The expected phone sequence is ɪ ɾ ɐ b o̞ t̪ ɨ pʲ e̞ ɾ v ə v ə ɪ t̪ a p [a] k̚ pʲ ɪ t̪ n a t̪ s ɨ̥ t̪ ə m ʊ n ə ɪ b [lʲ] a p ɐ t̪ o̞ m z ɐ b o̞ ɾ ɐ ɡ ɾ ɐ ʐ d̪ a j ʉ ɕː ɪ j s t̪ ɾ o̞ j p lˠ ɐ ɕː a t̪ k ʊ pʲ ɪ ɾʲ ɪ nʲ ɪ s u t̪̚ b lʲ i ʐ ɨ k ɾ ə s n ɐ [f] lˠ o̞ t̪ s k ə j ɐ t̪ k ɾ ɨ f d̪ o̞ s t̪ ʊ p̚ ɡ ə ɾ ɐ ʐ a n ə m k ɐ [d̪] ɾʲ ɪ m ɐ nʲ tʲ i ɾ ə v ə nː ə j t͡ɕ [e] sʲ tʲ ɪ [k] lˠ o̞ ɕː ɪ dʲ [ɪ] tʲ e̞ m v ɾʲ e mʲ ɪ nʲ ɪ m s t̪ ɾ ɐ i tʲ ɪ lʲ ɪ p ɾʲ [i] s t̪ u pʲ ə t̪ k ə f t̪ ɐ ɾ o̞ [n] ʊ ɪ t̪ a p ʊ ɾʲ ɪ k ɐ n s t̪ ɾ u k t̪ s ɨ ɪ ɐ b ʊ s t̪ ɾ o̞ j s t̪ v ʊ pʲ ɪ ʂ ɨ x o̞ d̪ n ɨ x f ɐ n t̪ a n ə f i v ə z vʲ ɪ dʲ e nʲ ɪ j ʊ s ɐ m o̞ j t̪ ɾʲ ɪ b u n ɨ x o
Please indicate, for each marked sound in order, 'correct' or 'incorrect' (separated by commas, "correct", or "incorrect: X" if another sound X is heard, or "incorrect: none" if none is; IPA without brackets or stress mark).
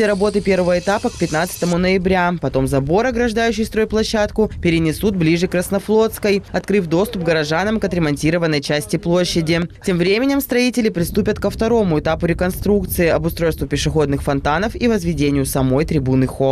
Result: incorrect: ə, incorrect: ɾʲ, correct, incorrect: t̪, incorrect: æ, incorrect: p, correct, incorrect: ɪ, incorrect: m